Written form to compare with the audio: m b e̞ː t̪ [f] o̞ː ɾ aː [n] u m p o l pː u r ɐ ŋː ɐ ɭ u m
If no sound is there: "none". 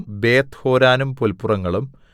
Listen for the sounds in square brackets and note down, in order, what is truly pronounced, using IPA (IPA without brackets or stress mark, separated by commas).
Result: h, n